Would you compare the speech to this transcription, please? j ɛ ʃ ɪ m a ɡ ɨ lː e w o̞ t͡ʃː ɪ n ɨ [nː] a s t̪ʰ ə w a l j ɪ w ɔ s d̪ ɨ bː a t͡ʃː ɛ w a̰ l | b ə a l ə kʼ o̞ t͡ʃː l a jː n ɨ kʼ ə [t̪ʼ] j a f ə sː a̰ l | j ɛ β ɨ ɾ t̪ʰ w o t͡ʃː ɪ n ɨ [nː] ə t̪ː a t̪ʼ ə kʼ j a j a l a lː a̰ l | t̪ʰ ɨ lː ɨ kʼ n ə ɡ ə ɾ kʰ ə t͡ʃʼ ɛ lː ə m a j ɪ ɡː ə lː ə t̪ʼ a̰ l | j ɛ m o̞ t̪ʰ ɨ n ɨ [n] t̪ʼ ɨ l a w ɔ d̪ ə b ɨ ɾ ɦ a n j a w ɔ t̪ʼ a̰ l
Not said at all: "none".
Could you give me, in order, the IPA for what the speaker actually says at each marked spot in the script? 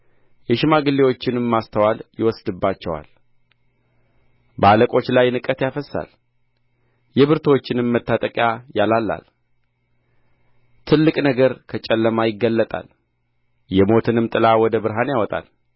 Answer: mː, t̪, mː, m

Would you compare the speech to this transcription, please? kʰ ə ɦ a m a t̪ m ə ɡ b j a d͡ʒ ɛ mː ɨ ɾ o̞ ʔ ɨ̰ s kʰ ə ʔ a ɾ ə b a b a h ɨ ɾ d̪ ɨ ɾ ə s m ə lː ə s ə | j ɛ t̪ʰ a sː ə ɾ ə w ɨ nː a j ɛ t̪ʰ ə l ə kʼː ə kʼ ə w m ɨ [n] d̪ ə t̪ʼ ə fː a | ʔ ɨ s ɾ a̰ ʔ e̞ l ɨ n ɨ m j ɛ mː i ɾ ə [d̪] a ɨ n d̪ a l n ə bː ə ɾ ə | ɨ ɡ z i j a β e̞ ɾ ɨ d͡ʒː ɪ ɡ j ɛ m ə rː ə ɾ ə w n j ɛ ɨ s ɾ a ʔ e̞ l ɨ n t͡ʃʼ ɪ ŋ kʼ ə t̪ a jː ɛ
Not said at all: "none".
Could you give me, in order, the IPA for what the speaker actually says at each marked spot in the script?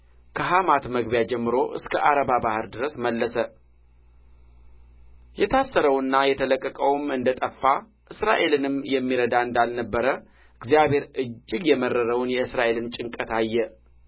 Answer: n, d̪

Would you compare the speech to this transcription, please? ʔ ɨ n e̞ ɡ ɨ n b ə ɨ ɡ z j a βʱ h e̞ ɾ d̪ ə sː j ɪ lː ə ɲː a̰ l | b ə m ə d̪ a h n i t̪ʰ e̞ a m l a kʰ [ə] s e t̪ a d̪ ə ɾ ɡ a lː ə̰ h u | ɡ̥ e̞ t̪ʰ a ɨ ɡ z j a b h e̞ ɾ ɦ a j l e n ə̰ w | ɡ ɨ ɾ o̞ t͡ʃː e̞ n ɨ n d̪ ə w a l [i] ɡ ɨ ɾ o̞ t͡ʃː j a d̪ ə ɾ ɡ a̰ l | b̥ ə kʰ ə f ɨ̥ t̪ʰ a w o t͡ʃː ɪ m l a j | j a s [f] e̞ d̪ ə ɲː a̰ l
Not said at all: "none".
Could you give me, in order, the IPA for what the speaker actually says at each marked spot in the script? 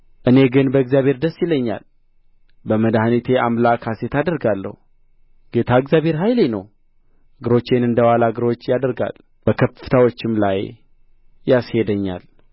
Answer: a, a, h

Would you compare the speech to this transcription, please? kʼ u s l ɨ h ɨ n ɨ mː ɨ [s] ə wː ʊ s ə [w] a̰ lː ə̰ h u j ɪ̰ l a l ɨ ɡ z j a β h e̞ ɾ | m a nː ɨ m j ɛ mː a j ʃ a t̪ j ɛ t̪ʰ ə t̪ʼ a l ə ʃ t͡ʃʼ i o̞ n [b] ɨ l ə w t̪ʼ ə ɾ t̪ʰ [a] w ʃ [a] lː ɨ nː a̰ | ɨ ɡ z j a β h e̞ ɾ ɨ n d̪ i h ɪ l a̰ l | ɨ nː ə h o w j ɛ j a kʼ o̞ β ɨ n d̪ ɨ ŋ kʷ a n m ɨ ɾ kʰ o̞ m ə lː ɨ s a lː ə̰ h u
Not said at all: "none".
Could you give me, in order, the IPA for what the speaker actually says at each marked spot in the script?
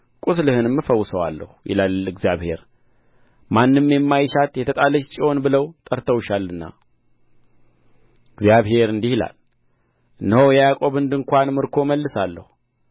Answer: f, w, b, ə, a

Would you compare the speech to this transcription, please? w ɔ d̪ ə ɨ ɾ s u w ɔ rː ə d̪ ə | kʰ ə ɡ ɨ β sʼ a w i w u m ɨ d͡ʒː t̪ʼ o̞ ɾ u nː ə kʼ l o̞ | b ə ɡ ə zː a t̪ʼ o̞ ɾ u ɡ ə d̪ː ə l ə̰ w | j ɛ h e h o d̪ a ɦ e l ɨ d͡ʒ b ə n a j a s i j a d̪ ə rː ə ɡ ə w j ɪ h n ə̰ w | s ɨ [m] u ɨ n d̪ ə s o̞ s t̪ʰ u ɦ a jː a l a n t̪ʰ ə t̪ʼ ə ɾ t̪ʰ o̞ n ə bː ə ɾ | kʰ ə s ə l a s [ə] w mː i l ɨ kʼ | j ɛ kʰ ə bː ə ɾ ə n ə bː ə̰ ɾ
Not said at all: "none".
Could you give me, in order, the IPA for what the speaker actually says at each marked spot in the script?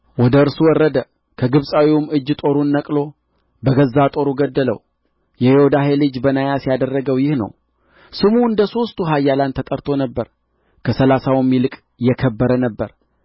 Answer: m, a

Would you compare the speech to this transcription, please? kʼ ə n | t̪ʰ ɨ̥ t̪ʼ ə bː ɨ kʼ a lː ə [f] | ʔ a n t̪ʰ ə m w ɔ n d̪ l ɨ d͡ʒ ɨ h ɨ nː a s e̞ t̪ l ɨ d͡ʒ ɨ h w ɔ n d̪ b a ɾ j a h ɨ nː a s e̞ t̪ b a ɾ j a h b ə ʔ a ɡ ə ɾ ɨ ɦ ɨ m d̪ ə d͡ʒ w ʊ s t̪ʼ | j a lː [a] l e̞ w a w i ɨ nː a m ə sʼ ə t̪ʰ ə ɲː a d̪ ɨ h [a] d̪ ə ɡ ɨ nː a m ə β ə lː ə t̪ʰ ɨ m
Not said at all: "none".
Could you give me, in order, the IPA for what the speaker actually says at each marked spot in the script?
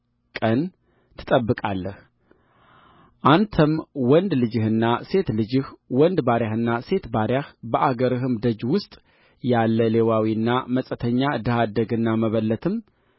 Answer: h, ə, a

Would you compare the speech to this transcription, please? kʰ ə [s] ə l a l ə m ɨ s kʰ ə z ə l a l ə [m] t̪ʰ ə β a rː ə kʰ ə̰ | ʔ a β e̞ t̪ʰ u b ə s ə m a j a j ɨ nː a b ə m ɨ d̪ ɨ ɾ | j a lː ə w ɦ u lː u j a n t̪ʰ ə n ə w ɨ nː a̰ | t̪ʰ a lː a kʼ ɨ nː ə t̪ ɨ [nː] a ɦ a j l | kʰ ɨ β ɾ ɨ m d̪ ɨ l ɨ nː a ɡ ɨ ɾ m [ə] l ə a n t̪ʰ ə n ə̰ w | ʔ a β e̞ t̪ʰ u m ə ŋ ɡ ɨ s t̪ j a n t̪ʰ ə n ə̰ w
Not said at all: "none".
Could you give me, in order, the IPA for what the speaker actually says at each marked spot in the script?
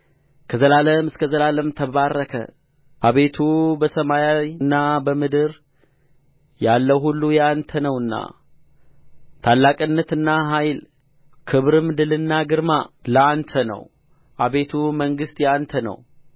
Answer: z, m, nː, a

